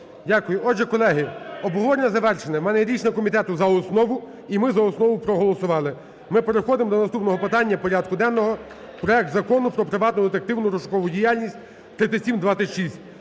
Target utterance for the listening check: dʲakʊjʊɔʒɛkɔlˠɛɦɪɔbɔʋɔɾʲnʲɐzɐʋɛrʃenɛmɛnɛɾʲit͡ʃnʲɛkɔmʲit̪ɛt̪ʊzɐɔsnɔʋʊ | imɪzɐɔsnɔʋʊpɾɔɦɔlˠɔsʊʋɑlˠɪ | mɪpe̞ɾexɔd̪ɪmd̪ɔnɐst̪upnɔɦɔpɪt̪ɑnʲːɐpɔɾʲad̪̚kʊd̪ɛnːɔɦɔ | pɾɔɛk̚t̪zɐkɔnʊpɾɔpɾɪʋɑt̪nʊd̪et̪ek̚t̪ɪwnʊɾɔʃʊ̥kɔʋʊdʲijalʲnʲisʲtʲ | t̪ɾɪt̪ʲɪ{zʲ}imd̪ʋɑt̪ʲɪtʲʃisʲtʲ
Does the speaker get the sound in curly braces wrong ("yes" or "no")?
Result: yes